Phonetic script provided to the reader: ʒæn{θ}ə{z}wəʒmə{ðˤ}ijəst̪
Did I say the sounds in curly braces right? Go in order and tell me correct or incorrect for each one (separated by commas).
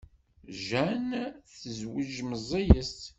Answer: correct, correct, incorrect